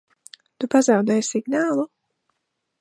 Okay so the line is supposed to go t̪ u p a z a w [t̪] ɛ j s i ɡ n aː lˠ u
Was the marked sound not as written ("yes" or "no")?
yes